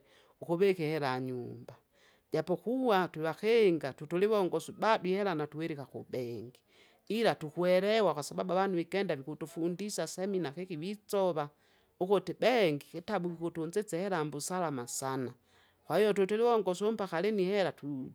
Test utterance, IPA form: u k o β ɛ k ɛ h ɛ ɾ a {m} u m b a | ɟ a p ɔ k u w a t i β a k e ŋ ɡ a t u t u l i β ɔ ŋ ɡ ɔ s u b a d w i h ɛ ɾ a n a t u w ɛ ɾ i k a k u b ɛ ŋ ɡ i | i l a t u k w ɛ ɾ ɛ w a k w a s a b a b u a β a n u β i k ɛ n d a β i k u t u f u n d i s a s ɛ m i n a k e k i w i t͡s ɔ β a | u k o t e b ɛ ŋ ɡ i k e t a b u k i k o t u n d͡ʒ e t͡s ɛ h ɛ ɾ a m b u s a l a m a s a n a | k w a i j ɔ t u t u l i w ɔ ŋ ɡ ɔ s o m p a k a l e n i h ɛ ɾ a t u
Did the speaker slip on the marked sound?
yes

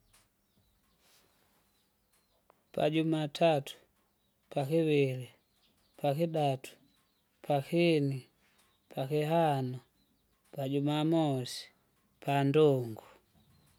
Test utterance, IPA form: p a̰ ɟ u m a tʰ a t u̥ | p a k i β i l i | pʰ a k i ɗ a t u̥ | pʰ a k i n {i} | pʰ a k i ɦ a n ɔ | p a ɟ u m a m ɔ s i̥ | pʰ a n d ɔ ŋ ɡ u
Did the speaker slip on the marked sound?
no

